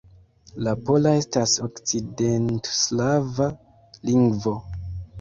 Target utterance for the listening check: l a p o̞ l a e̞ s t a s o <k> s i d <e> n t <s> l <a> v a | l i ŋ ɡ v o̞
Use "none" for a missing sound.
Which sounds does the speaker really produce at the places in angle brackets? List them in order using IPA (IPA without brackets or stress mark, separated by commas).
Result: k, e, s, a